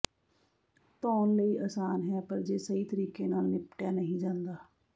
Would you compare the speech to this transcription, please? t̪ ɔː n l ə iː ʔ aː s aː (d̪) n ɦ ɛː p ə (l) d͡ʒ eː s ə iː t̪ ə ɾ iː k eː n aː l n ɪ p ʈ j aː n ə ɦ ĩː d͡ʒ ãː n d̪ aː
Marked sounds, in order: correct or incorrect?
incorrect: none, incorrect: ɾ

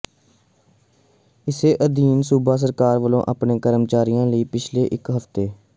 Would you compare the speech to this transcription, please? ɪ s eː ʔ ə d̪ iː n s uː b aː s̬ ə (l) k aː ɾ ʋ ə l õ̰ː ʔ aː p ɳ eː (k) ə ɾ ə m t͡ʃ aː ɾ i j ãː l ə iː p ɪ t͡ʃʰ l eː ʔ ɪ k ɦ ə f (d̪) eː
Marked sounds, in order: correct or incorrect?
incorrect: ɾ, correct, incorrect: t̪

